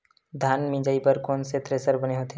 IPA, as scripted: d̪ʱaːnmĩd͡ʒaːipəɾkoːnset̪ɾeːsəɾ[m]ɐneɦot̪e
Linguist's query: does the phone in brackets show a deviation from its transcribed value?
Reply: yes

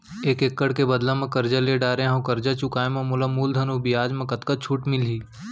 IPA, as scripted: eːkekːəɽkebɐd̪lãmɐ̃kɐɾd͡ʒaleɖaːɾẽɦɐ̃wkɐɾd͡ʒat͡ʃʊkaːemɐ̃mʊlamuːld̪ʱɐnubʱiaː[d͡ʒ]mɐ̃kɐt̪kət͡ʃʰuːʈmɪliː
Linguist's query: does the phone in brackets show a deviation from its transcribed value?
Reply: no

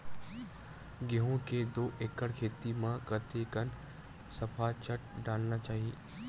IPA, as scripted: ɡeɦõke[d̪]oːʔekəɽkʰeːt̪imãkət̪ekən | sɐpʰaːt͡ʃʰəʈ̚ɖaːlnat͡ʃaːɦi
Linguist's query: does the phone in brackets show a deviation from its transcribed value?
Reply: no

